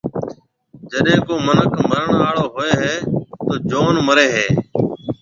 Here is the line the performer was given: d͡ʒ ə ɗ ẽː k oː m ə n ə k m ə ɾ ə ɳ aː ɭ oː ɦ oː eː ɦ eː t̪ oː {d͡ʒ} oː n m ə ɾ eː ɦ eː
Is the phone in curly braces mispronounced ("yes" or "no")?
no